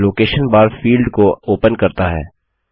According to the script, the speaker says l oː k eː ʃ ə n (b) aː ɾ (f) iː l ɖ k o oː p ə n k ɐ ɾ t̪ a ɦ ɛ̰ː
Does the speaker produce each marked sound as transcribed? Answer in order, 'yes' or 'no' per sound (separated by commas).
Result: yes, yes